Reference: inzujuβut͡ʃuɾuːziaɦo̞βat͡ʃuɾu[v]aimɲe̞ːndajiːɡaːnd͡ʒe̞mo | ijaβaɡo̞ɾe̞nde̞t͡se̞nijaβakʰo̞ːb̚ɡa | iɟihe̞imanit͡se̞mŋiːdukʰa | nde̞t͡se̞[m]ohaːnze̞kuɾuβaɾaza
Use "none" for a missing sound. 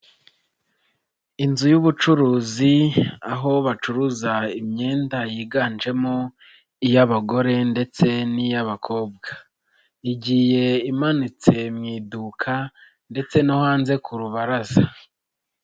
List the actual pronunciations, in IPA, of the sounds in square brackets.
z, n

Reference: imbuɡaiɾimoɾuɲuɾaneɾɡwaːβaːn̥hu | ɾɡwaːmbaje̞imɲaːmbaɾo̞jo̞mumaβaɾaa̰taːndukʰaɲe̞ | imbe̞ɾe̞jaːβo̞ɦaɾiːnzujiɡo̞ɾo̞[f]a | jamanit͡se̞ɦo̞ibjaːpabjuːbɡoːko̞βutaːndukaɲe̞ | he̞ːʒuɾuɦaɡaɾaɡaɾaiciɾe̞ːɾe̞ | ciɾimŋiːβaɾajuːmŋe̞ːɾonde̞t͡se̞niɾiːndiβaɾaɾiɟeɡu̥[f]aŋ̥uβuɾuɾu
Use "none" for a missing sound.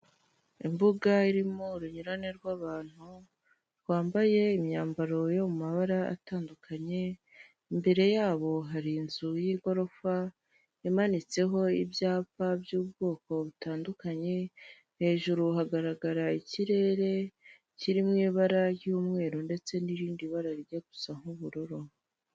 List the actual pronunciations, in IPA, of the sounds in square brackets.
f, s

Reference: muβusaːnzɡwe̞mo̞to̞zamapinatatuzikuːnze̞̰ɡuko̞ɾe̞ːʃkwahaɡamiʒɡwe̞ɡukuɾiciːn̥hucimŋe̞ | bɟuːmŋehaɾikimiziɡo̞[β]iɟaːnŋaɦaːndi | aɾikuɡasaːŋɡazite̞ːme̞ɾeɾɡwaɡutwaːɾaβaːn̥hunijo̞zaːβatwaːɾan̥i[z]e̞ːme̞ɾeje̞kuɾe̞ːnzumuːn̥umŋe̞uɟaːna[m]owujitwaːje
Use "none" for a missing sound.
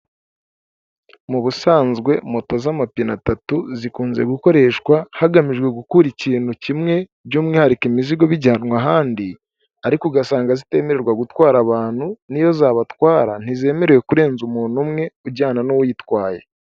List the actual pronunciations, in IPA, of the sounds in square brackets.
β, z, n

